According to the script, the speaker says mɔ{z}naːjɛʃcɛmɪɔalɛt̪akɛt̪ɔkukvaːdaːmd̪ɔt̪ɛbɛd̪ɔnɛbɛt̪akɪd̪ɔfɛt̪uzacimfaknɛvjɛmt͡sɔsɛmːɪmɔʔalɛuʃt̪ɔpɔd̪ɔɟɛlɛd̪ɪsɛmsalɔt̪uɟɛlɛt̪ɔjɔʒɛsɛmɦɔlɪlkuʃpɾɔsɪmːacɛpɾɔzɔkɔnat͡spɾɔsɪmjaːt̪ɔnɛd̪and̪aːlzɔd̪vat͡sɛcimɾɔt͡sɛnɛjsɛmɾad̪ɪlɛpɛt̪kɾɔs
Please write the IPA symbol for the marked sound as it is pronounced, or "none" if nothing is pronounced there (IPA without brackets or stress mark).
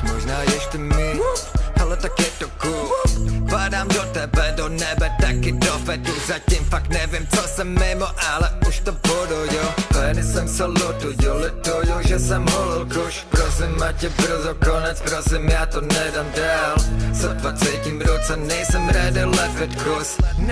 ʒ